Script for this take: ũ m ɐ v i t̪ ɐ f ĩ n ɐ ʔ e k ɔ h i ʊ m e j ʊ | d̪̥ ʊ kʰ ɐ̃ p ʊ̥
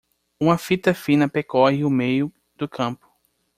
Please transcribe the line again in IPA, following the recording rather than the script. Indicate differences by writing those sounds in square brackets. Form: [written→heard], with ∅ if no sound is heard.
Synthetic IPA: ũ m ɐ [v→f] i t̪ ɐ f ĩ n ɐ [ʔ→p] e k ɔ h [i→ɪ] ʊ m e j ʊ | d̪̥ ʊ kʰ ɐ̃ p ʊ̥